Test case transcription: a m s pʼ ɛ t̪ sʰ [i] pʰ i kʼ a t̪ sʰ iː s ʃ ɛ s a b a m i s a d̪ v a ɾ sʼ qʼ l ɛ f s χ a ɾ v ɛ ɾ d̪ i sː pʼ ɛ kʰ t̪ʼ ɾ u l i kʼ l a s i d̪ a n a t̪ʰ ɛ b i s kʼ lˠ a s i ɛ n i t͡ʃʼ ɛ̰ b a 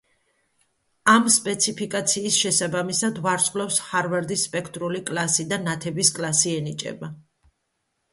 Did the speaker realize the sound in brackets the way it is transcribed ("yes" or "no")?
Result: yes